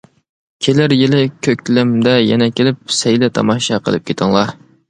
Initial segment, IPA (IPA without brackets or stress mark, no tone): kʲʰ